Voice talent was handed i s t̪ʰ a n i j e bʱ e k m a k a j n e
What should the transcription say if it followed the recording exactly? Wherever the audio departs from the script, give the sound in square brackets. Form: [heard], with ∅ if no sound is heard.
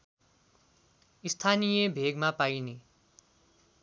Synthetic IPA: i s t̪ʰ a n i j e bʱ e [ɡ] m a [p] a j n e